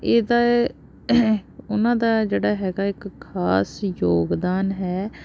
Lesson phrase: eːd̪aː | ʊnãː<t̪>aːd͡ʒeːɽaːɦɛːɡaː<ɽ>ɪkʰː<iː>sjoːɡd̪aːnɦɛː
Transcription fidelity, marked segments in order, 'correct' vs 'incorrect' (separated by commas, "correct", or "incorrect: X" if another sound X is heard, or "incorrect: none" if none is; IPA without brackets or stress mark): incorrect: d̪, incorrect: none, incorrect: aː